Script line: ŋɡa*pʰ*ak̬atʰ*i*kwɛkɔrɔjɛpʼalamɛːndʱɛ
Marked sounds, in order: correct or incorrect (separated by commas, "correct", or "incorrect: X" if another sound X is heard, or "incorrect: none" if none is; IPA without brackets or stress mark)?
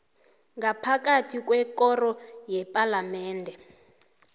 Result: correct, correct